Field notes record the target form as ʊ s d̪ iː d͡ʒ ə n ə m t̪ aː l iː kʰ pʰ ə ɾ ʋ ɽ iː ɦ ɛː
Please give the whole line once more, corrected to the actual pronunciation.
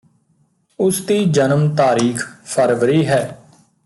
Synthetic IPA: ʊ s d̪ iː d͡ʒ ə n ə m t̪ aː ɾ iː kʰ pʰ ə ɾ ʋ ɾ iː ɦ ɛː

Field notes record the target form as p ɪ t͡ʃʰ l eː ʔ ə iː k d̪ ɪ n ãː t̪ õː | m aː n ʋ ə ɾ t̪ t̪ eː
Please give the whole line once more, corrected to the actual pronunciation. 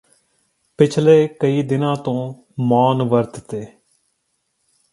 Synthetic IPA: p ɪ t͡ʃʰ l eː k ə iː d̪ ɪ n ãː t̪ õː | m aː n ʋ ə ɾ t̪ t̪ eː

